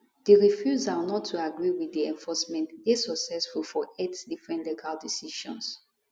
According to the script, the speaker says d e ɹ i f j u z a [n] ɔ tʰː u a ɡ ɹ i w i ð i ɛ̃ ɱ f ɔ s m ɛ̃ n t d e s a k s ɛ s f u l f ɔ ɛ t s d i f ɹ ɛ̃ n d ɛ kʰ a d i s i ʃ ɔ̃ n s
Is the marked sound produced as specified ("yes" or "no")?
yes